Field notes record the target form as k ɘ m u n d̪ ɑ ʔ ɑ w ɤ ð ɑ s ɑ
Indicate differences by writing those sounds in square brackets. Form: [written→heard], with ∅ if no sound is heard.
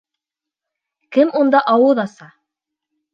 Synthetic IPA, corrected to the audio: k ɘ m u n d̪ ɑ ʔ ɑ w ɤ ð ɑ s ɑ